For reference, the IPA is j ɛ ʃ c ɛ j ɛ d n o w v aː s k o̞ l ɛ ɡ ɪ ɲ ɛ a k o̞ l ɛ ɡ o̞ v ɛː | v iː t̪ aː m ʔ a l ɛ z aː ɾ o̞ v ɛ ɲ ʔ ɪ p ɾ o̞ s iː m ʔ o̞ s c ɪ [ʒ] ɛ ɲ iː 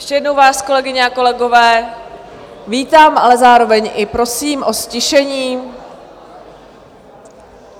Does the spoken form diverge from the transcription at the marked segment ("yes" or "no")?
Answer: yes